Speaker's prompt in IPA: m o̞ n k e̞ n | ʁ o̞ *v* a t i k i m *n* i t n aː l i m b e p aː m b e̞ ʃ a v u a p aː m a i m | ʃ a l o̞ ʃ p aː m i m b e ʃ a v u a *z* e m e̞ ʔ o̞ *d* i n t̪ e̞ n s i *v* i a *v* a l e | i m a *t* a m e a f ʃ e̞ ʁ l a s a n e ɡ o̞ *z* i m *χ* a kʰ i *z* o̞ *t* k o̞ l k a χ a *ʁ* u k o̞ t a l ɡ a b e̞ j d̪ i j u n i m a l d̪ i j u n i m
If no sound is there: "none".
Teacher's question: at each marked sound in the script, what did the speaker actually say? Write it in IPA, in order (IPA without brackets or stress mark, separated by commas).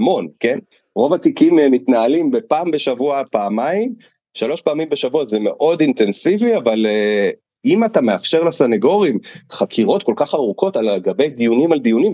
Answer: v, m, z, d, v, v, t, ʁ, χ, ʁ, t, ʁ